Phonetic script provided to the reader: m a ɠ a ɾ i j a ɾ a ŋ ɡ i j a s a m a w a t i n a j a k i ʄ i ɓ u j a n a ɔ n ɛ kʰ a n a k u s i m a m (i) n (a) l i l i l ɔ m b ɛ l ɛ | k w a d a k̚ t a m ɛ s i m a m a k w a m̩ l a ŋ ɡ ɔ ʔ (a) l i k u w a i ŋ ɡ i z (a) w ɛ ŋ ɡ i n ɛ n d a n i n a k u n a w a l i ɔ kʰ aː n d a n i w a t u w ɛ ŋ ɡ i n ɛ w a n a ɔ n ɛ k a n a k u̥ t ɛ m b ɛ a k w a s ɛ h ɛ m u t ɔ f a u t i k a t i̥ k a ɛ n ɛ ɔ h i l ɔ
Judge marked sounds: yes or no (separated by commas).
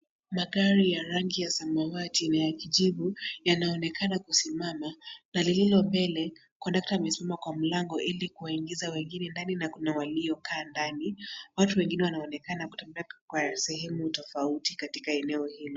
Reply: no, yes, no, yes